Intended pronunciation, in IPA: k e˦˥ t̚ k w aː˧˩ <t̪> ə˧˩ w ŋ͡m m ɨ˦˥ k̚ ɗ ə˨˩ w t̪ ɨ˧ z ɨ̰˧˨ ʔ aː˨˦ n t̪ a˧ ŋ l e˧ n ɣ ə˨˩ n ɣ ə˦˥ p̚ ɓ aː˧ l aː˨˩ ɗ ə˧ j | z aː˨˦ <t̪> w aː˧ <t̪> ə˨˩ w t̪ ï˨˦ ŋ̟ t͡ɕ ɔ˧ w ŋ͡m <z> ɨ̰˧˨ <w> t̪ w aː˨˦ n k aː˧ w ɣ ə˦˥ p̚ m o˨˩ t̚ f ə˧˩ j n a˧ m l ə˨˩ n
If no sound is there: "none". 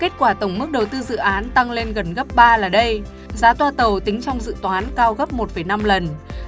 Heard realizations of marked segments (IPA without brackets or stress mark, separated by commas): t̪, t̪, t̪, z, none